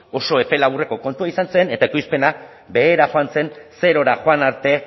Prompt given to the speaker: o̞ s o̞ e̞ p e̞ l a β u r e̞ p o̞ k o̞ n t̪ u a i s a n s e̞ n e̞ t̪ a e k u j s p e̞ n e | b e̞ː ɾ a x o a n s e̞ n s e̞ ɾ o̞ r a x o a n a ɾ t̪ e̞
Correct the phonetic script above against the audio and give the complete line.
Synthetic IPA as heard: o̞ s o̞ e̞ p e̞ l a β u r e̞ k o̞ k o̞ n t̪ u a i s a n s e̞ n e̞ t̪ a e k u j s p e̞ n a | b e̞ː ɾ a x o a n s e̞ n s e̞ ɾ o̞ ɾ a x o a n a ɾ t̪ e̞